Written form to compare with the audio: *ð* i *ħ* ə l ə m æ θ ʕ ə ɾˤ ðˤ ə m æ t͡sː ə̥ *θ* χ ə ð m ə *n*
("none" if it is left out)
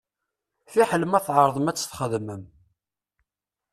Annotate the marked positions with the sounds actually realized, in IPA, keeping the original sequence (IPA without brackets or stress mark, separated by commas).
θ, ħ, θ, m